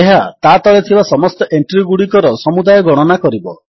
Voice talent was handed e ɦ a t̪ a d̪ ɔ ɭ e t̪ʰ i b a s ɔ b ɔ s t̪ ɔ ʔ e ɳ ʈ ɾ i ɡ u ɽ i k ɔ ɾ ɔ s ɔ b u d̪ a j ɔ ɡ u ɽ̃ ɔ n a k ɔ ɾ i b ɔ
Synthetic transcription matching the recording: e ɦ a t̪ a t̪ ɔ ɭ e t̪ʰ i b a s ɔ m ɔ s t̪ ɔ ʔ e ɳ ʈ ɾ i ɡ u ɽ i k ɔ ɾ ɔ s ɔ m u d̪ a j ɔ ɡ ɔ ɽ̃ ɔ n a k ɔ ɾ i b ɔ

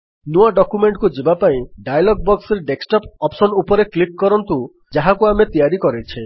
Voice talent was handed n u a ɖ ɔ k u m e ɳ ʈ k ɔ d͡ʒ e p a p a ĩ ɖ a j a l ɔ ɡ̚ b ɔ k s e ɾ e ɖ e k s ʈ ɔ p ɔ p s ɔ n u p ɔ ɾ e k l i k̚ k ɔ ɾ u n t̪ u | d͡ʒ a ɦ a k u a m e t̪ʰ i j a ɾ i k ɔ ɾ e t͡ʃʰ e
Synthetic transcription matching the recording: n u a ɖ ɔ k u m e ɳ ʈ k u d͡ʒ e b a p a ĩ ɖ a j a l ɔ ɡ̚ b ɔ k s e ɾ e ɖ e k s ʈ ɔ p ɔ p s ɔ n u p ɔ ɾ e k l i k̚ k ɔ ɾ ɔ n t̪ u | d͡ʒ a ɦ a k u a m e t̪ i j a ɾ i k ɔ ɾ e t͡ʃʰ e

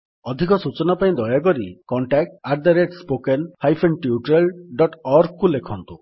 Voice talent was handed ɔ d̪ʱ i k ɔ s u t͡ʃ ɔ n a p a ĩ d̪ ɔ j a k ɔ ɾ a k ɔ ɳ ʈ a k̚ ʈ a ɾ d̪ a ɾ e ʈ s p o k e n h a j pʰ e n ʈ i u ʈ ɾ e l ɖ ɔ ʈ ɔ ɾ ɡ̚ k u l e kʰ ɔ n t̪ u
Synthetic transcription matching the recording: ɔ d̪ʱ i k ɔ s u t͡ʃ ɔ n a p a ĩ d̪ ɔ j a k ɔ ɾ i k ɔ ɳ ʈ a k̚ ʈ a ɾ d̪ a ɾ e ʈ s p o k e n h a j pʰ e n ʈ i u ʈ ɾ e l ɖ ɔ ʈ ɔ ɾ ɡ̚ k u l e kʰ ɔ n t̪ u

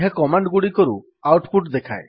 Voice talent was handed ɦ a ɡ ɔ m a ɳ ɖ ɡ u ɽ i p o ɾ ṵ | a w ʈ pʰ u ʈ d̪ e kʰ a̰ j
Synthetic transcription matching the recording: ɦ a k ɔ m a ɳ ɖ ɡ u ɽ i k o ɾ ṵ | a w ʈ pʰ u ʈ d̪ e kʰ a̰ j

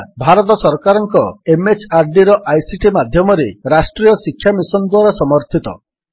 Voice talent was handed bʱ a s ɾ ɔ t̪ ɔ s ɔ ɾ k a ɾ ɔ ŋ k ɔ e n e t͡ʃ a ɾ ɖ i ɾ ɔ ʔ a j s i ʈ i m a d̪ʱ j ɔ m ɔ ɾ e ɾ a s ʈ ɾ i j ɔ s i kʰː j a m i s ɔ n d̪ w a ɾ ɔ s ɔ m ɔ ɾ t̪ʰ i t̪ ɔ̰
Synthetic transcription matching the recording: bʱ a ɾ ɔ t̪ ɔ s ɔ ɾ k a ɾ ɔ ŋ k ɔ e m e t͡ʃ a ɾ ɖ i ɾ ɔ ʔ a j s i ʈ i m a d̪ʱ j ɔ m ɔ ɾ e ɾ a s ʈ ɾ i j ɔ s i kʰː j a m i s ɔ n d̪ w a ɾ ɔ s ɔ m ɔ ɾ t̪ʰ i t̪ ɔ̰

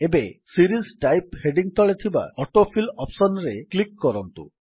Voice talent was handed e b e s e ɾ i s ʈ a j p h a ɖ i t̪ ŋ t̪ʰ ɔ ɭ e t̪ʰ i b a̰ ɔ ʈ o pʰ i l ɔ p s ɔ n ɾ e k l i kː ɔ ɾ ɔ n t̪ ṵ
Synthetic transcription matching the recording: e b e s i ɾ i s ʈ a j p h e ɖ i ŋ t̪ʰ ɔ ɭ e t̪ʰ i b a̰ ɔ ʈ o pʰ i l ɔ p s ɔ n ɾ e k l i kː ɔ ɾ ɔ n t̪ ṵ

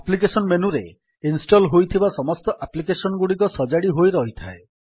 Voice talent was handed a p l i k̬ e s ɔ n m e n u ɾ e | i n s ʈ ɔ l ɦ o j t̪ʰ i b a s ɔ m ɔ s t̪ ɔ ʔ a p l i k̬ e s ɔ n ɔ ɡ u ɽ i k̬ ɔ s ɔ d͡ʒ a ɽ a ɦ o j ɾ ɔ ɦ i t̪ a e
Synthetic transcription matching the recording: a p l i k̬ e s ɔ n m e n u ɾ e | i n s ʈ ɔ l ɦ o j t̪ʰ i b a s ɔ m ɔ s t̪ ɔ ʔ a p l i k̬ e s ɔ n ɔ ɡ u ɽ i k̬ ɔ s ɔ d͡ʒ a ɽ i ɦ o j ɾ ɔ ɦ i t̪ʰ a e

